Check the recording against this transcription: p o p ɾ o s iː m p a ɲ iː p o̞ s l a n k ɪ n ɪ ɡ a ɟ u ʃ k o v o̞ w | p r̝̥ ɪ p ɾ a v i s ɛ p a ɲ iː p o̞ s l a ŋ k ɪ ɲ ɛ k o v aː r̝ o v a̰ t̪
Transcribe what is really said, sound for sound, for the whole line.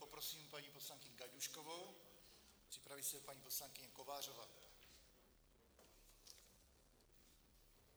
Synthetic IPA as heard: p o p ɾ o s iː m p a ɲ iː p o̞ s l a ŋ k ɪ ɲ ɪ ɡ a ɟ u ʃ k o v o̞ w | p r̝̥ ɪ p ɾ a v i s ɛ p a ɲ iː p o̞ s l a ŋ k ɪ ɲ ɛ k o v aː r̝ o v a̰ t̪

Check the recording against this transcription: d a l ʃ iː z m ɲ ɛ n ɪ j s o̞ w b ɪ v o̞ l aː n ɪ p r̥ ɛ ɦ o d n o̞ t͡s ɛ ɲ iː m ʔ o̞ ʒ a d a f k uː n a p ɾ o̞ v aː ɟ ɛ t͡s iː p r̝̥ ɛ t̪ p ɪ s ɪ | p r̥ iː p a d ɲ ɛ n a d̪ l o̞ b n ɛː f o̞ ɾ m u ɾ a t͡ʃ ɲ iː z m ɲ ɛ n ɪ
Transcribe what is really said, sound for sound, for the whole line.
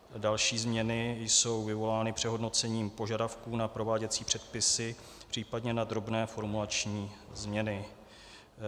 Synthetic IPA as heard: d a l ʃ iː z m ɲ ɛ n ɪ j s o̞ w v ɪ v o̞ l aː n ɪ p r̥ ɛ ɦ o d n o̞ t͡s ɛ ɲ iː m p o̞ ʒ a d a f k uː n a p ɾ o̞ v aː ɟ ɛ t͡s iː p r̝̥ ɛ t̪ p ɪ s ɪ | p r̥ iː p a d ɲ ɛ n a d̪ ɾ o̞ b n ɛː f o̞ ɾ m u l a t͡ʃ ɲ iː z m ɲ ɛ n ɪ

